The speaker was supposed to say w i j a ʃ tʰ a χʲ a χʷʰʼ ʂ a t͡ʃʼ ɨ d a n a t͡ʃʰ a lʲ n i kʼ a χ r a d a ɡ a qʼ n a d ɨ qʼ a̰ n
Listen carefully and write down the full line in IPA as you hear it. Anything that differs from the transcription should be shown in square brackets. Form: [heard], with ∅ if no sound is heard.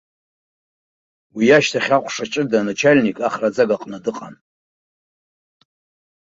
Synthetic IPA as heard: w i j a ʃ tʰ a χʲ a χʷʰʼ ʂ a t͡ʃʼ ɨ d a n a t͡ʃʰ a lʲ n i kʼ a χ r a [d͡z] a ɡ a qʼ n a d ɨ qʼ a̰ n